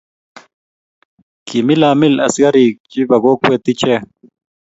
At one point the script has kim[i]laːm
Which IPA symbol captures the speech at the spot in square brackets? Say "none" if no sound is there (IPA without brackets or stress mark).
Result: i